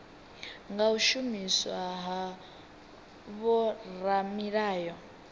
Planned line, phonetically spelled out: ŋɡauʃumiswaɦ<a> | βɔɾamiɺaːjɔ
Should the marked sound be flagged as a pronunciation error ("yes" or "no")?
no